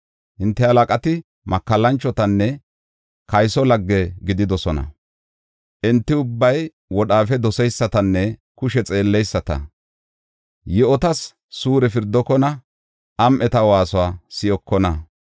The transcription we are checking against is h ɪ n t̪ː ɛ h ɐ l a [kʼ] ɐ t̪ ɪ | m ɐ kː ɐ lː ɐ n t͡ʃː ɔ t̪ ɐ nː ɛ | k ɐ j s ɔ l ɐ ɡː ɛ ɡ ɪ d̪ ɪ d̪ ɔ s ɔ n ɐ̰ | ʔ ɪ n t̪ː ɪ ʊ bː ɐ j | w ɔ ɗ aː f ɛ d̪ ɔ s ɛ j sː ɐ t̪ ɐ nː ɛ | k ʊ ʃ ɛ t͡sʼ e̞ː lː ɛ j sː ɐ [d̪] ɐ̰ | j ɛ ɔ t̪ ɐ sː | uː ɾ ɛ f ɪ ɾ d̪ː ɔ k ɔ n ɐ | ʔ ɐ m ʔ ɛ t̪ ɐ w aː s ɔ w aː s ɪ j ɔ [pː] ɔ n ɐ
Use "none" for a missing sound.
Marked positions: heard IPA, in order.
kʼ, t̪, kː

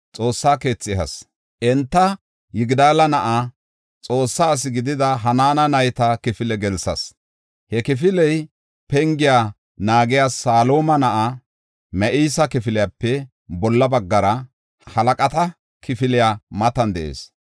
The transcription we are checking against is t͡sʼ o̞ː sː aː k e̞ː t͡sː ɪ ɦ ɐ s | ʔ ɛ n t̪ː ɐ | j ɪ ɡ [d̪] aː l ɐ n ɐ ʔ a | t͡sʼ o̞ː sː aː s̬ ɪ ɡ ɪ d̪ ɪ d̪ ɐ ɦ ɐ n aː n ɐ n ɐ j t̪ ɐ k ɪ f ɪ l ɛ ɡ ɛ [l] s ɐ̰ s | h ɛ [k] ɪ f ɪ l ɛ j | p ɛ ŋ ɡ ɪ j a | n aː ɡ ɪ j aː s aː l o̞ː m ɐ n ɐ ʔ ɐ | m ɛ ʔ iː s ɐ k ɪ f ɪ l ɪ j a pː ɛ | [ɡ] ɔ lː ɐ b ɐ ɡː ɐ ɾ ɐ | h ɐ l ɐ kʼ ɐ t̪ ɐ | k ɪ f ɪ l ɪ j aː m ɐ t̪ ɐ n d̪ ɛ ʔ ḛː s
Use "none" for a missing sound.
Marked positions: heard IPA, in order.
d̪, l, k, b

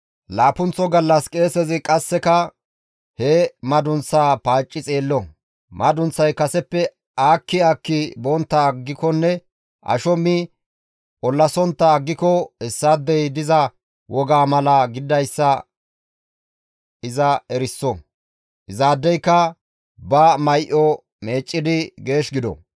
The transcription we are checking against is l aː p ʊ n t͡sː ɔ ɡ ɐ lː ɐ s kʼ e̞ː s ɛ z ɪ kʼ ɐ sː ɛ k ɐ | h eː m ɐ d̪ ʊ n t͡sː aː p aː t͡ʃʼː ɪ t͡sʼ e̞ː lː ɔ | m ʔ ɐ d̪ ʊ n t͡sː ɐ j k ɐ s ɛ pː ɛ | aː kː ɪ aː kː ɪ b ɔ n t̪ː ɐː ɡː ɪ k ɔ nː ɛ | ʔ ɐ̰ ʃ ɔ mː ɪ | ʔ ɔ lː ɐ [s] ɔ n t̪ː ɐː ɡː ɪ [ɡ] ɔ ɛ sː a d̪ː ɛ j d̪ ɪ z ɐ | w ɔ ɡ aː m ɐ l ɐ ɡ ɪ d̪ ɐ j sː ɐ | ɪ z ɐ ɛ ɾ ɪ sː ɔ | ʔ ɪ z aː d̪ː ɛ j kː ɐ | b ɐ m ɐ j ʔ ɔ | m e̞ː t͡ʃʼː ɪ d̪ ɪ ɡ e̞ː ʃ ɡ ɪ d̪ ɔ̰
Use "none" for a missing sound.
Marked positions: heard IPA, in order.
s, k

